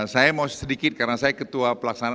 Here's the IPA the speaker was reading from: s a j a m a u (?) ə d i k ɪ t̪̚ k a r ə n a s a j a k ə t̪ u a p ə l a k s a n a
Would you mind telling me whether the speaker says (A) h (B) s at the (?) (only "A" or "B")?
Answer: B